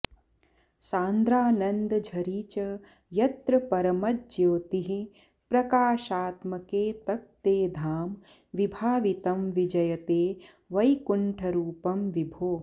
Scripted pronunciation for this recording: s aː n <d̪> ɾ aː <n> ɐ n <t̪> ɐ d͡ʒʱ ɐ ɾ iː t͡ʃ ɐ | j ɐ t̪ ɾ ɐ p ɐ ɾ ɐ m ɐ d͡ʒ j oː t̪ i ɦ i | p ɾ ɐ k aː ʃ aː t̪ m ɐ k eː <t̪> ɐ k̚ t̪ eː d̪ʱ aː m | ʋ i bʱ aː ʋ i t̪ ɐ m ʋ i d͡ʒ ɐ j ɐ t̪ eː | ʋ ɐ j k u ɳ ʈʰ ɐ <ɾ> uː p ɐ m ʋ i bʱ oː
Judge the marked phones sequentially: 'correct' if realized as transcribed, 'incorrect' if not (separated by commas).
correct, correct, incorrect, correct, correct